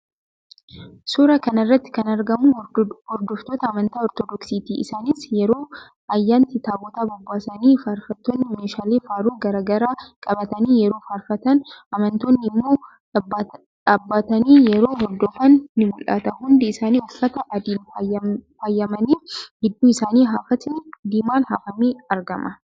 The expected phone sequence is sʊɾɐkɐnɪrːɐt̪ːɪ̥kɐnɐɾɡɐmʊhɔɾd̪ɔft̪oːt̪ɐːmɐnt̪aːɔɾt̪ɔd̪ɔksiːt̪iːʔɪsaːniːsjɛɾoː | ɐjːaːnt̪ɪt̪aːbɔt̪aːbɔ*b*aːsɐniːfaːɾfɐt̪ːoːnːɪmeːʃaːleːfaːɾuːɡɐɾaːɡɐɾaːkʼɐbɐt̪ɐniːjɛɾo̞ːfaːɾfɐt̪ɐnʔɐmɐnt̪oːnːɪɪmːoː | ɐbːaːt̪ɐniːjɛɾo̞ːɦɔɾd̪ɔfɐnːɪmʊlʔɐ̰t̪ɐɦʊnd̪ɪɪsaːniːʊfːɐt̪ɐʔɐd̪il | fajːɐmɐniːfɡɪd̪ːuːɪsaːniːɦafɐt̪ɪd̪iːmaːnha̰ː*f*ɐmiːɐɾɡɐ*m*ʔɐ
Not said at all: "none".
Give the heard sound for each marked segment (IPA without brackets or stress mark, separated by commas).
bː, f, m